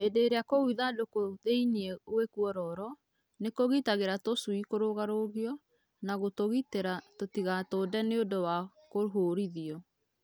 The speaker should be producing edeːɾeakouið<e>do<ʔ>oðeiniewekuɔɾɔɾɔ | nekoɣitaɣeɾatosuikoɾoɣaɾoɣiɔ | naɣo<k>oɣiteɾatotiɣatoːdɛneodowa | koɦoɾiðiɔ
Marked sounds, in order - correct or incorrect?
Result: incorrect: a, incorrect: k, incorrect: t

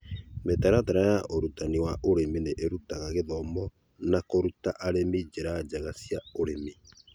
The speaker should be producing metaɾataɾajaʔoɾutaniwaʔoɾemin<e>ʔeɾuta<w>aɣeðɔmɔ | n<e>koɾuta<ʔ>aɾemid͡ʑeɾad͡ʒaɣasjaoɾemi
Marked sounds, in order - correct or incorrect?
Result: correct, incorrect: ɣ, incorrect: a, correct

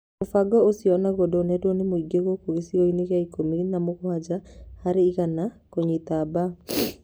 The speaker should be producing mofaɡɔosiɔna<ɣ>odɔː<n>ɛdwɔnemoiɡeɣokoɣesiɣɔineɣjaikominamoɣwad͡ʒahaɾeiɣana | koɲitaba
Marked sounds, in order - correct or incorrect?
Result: correct, correct

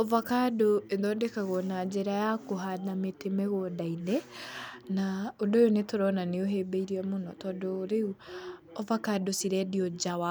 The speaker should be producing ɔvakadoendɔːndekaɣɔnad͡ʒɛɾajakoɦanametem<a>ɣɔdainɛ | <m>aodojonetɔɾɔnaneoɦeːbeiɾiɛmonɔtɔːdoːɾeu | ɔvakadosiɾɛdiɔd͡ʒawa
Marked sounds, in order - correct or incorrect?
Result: incorrect: ɛ, incorrect: n

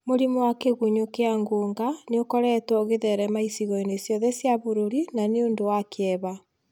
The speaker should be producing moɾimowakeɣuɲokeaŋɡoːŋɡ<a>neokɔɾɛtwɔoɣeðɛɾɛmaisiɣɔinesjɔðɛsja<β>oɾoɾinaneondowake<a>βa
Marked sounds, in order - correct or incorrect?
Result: correct, correct, incorrect: ɛ

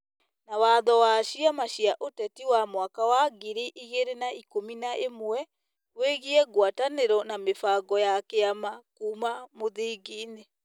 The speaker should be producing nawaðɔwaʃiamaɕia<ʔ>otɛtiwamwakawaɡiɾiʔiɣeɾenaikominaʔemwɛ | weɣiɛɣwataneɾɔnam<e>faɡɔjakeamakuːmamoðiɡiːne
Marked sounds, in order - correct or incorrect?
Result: correct, correct

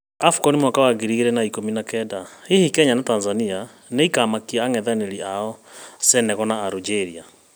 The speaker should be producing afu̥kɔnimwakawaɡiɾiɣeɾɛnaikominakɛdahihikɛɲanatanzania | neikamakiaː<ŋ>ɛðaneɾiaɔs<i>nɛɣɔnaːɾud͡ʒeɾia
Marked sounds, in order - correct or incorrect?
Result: correct, incorrect: ɛ

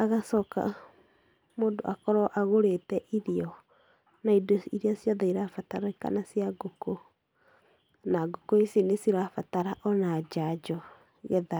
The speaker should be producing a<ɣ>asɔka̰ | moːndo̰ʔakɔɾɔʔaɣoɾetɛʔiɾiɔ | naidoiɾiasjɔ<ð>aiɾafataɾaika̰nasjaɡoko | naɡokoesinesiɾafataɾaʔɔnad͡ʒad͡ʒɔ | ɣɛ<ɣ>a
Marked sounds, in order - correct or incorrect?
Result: correct, correct, incorrect: ð

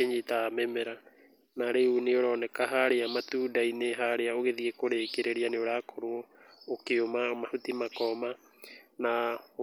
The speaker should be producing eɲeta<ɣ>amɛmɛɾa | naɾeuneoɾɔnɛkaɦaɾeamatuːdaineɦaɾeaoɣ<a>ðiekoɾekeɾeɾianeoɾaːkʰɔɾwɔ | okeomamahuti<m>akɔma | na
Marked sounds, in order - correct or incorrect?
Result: incorrect: none, incorrect: e, correct

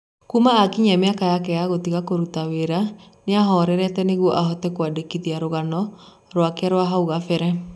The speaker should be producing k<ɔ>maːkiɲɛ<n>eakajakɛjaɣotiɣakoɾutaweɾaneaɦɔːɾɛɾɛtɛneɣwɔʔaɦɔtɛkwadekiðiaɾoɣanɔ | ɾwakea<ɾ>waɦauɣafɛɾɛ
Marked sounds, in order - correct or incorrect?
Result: incorrect: u, incorrect: m, correct

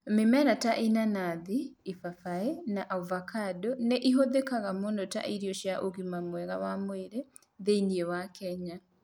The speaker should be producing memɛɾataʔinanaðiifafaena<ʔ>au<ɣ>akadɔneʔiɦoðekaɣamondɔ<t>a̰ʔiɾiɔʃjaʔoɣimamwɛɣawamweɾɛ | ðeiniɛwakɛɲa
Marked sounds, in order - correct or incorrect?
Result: correct, incorrect: v, correct

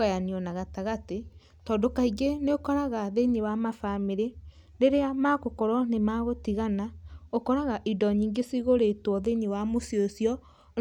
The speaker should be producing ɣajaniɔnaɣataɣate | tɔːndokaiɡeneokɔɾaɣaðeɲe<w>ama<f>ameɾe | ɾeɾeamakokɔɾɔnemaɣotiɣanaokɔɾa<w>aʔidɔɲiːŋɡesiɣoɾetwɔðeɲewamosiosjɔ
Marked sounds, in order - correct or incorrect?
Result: correct, correct, incorrect: ɣ

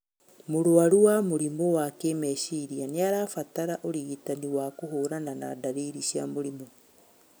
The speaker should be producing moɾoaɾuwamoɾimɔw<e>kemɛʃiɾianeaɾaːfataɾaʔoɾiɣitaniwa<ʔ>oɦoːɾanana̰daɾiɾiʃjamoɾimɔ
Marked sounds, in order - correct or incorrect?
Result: incorrect: a, incorrect: k

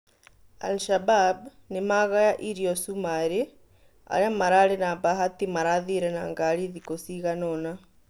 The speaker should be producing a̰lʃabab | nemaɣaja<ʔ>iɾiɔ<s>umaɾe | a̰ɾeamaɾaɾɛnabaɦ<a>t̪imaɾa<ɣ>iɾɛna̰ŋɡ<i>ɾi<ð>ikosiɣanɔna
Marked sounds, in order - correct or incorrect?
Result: correct, correct, correct, incorrect: ð, incorrect: a, correct

